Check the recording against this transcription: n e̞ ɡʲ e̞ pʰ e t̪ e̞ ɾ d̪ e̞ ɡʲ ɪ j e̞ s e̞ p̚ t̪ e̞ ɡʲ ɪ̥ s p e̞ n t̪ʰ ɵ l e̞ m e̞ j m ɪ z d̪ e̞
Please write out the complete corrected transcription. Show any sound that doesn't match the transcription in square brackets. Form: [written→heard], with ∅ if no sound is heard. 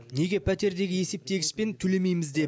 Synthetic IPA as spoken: n e̞ ɡʲ e̞ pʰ [e→æ] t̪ e̞ ɾ d̪ e̞ ɡʲ ɪ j e̞ s e̞ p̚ t̪ e̞ ɡʲ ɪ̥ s p e̞ n t̪ʰ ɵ l e̞ m e̞ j m ɪ z d̪ e̞